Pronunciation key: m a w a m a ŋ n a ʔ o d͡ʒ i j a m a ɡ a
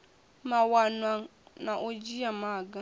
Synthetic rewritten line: m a w a n a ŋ n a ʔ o d͡ʒ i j a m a ɡ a